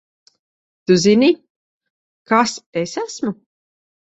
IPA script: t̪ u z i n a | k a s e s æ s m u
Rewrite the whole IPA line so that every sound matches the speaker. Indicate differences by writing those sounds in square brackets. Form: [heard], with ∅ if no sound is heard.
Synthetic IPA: t̪ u z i n [i] | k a s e s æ s m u